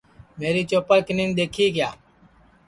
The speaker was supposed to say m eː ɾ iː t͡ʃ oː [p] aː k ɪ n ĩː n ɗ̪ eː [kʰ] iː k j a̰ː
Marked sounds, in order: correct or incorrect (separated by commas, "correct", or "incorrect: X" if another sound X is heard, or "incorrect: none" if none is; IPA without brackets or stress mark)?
correct, correct